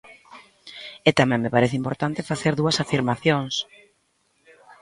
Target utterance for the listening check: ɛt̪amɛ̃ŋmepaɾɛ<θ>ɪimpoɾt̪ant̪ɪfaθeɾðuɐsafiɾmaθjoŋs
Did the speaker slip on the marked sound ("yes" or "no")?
no